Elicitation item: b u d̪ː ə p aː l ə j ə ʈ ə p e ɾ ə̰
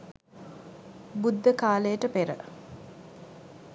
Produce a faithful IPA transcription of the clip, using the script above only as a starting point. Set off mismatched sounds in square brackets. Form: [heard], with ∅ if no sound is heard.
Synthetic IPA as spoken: b u d̪ː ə [k] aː l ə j ə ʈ ə p e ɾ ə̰